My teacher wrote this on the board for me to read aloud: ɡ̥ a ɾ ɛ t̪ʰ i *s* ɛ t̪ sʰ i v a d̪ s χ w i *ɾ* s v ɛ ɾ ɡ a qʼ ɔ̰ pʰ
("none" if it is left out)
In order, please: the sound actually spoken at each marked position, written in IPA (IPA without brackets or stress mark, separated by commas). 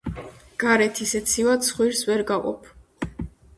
s, ɾ